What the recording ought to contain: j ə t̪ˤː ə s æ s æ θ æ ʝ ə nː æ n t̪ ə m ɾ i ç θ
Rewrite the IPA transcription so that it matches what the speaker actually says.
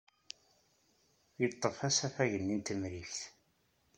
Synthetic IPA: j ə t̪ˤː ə f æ s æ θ æ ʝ ə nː i n t̪ ə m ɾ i ç θ